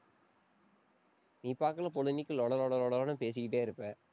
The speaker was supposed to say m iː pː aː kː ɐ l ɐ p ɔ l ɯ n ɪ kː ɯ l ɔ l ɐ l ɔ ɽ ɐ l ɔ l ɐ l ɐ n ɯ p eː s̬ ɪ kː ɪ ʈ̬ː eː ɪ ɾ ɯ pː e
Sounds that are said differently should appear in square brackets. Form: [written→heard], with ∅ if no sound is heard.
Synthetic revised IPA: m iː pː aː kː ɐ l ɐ p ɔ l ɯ n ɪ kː ɯ l ɔ [l→ɽ] ɐ l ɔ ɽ ɐ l ɔ [l→ɽ] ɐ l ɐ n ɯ p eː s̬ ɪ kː ɪ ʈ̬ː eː ɪ ɾ ɯ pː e